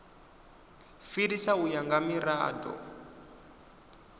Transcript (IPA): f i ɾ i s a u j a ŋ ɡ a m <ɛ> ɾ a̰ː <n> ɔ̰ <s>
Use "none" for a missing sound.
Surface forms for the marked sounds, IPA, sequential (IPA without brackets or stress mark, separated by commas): i, d, none